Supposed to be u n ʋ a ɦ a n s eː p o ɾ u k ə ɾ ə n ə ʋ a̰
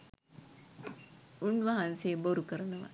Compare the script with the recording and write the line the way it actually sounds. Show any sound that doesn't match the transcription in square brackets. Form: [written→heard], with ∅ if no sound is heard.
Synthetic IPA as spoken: u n ʋ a ɦ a n s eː [p→b] o ɾ u k ə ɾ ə n ə ʋ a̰